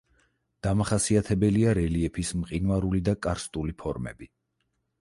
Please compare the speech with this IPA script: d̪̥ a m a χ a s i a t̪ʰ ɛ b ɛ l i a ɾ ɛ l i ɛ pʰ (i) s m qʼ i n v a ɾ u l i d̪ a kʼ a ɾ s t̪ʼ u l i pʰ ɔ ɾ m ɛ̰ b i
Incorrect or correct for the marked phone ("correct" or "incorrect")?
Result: correct